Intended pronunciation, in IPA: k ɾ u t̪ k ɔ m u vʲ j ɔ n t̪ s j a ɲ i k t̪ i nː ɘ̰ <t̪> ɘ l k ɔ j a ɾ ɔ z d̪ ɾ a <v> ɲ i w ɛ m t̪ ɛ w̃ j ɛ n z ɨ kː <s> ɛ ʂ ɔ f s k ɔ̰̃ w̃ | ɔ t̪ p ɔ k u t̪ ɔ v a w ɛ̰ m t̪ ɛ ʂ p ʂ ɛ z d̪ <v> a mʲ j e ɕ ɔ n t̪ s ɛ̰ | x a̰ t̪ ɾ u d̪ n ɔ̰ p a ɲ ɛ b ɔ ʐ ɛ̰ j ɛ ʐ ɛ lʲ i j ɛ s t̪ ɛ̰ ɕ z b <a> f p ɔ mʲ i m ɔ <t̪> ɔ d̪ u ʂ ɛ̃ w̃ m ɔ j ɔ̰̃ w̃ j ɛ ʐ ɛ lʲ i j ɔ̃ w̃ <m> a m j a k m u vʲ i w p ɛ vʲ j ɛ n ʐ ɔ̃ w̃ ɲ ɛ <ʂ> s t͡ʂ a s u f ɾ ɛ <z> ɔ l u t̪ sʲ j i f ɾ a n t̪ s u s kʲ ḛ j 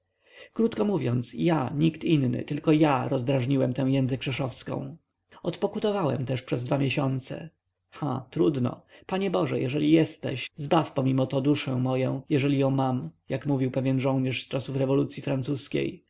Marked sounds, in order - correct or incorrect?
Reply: correct, incorrect: ʐ, incorrect: ʂ, correct, correct, correct, correct, correct, incorrect: v

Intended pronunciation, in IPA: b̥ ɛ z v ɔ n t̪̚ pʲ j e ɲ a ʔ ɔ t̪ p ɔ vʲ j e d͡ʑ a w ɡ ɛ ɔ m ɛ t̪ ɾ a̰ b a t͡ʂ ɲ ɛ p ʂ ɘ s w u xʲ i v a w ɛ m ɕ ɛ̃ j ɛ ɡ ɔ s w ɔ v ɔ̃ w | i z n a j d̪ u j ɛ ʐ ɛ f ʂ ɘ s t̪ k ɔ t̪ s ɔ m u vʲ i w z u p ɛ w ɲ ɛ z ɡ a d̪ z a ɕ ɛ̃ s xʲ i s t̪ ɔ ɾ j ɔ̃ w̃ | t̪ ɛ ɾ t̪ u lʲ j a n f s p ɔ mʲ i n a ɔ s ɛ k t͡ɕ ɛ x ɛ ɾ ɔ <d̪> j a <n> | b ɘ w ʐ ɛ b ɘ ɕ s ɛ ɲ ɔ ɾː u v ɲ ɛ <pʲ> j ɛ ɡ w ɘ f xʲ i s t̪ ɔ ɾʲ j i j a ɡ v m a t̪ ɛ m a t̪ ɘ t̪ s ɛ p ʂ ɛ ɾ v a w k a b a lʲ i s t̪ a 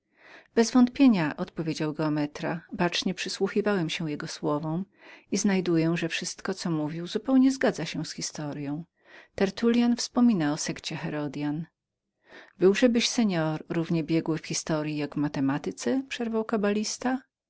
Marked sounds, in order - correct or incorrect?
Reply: correct, correct, incorrect: bʲ

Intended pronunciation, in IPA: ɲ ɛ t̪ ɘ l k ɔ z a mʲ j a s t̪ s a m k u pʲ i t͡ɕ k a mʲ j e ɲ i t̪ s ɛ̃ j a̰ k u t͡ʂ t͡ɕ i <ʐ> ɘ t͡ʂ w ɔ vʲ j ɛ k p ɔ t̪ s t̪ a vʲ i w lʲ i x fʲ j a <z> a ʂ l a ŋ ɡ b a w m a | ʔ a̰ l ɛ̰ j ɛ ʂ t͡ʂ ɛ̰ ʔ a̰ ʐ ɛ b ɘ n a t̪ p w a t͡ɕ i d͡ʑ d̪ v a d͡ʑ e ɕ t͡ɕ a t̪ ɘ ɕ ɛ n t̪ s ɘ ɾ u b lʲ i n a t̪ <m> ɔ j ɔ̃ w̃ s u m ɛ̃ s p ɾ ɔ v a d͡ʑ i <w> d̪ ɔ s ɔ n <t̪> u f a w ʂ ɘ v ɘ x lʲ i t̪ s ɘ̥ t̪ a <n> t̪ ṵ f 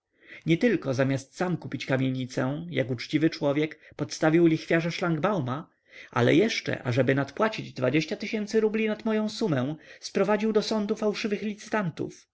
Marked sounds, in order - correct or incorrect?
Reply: incorrect: v, incorrect: ʐ, correct, correct, incorrect: d̪, correct

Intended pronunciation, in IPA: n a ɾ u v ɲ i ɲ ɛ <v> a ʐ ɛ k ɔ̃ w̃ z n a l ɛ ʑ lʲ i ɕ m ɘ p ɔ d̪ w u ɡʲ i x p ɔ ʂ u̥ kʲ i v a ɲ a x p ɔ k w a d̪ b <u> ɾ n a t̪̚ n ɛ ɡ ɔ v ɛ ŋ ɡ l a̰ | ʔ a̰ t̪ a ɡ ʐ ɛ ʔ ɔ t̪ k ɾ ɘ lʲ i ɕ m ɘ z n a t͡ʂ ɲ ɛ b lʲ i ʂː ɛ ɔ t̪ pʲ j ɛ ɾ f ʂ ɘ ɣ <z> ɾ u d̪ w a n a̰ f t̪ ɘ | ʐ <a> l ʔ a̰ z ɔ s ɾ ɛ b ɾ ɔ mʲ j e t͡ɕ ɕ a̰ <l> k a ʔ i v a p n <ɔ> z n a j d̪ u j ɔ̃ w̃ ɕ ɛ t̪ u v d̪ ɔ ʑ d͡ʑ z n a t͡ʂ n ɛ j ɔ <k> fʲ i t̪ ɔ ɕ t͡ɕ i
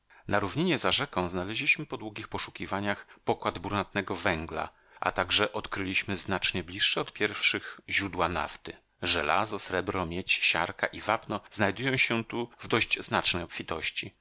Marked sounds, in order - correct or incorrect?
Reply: incorrect: z, correct, incorrect: ʑ, incorrect: ɛ, incorrect: ɾ, correct, incorrect: p

